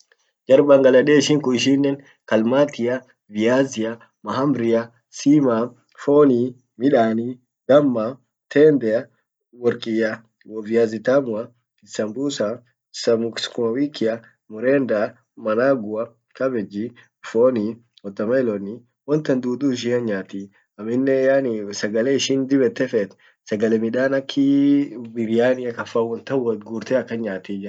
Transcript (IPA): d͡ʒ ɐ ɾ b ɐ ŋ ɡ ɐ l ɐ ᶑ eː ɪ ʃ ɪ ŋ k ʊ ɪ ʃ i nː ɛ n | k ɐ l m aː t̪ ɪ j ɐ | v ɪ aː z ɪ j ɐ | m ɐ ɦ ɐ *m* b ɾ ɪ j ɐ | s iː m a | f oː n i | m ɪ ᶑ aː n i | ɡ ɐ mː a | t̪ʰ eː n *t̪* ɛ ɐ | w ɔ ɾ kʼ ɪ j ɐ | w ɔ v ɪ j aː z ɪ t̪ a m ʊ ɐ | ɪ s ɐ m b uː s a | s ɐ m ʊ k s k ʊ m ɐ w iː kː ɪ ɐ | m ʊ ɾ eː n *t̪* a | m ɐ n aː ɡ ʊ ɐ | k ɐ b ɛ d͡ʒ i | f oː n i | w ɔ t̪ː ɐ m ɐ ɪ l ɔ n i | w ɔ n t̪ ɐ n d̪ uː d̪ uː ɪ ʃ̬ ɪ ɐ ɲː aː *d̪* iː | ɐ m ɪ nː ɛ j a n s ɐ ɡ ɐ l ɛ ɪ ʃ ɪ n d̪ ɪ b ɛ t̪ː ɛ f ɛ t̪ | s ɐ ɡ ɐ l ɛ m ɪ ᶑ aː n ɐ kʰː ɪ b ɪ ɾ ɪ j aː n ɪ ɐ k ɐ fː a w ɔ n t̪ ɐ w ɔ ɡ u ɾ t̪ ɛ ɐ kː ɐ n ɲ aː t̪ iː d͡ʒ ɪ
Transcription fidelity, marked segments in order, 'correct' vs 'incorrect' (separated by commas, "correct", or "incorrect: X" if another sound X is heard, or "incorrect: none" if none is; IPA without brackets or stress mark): correct, incorrect: d̪, incorrect: d̪, incorrect: t̪